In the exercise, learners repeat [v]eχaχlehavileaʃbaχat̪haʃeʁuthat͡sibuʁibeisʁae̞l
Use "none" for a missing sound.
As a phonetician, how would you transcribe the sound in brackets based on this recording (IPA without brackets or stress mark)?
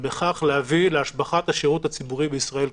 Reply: b